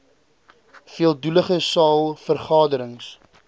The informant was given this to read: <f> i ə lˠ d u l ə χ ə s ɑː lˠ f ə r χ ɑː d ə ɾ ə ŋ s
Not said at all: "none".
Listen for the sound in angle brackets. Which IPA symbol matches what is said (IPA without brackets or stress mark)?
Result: f